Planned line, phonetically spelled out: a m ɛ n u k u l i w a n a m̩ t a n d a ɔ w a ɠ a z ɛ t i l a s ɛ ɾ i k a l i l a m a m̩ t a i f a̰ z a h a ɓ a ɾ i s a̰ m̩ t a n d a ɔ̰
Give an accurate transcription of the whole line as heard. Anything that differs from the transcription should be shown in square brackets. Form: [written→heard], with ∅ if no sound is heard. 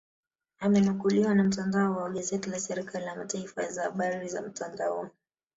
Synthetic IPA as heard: a m ɛ n u k u l i w a n a m̩ t a n d a ɔ w a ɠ a z ɛ t i l a s ɛ ɾ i k a l i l a m a [m̩→∅] t a i f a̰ z a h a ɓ a ɾ i [s→z] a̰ m̩ t a n d a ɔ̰